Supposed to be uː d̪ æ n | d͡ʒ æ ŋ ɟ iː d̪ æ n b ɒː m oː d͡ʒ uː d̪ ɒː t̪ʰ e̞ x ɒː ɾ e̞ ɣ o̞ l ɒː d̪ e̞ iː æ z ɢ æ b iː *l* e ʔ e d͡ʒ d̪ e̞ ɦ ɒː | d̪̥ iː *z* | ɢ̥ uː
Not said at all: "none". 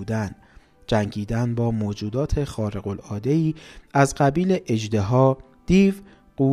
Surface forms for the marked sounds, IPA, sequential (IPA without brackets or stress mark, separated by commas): l, v